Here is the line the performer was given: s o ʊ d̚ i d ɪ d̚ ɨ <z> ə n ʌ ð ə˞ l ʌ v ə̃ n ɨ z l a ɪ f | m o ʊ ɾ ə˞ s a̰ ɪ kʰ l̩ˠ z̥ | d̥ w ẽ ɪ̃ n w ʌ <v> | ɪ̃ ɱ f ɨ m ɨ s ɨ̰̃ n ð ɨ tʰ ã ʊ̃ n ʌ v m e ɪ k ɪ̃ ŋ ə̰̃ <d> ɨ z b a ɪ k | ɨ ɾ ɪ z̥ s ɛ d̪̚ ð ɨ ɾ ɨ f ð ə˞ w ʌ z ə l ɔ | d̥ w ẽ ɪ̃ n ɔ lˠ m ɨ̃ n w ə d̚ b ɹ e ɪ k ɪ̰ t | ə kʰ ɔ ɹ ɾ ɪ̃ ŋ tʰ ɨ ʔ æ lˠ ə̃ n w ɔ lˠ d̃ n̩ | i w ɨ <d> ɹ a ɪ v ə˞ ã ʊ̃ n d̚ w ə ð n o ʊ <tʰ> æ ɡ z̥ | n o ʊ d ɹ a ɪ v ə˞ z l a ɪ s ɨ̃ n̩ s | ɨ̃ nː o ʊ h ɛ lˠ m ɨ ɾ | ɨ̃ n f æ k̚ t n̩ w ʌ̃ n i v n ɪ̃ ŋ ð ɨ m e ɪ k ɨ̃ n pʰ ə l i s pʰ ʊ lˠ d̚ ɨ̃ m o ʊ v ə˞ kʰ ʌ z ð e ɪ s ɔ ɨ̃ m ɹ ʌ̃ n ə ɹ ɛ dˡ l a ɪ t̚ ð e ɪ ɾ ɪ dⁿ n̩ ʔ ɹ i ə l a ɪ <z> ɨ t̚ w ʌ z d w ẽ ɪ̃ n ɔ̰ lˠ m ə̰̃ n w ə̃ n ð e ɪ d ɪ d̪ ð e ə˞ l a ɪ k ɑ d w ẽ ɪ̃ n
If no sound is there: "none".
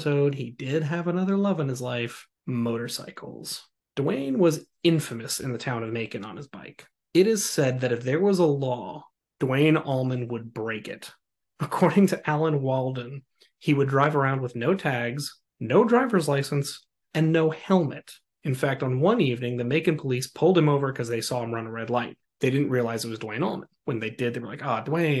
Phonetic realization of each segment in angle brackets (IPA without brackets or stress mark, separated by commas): v, z, n, d, tʰ, z